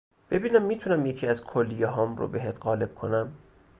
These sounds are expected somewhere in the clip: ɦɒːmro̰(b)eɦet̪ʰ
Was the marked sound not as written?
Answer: no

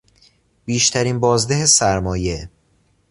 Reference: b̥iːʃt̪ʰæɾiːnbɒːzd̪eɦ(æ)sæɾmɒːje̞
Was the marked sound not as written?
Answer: yes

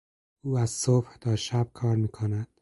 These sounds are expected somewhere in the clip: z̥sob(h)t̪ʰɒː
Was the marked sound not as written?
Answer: no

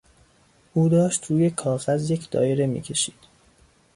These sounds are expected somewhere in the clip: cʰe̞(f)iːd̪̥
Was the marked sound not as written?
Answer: yes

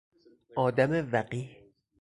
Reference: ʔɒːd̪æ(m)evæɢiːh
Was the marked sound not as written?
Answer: no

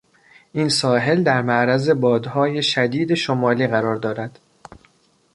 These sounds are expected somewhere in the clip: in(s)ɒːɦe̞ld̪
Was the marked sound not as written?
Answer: no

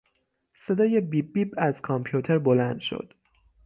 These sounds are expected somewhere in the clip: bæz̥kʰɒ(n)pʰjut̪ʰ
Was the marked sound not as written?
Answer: yes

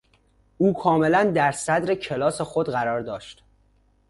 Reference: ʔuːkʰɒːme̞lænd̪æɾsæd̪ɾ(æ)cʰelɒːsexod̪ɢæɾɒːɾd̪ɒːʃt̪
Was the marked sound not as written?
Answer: yes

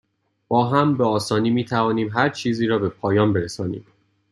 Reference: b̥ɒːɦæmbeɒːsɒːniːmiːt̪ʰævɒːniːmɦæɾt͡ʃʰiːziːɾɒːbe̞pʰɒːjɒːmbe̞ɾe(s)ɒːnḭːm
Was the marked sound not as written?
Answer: no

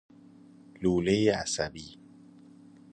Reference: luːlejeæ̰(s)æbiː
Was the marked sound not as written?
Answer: no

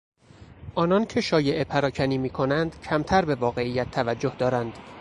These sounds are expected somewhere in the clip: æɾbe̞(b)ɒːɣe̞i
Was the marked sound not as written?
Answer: yes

